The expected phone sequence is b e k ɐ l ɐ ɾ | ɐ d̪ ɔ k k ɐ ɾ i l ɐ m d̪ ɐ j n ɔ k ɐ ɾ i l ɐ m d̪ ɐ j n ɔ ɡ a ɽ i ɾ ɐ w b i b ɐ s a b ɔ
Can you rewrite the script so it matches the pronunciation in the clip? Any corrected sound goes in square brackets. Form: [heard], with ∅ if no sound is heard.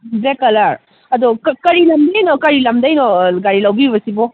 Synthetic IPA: b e k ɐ l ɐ ɾ | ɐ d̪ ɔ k k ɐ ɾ i l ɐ m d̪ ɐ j n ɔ k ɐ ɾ i l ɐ m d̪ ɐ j n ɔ ɡ a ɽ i [l] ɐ w b i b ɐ s [i] b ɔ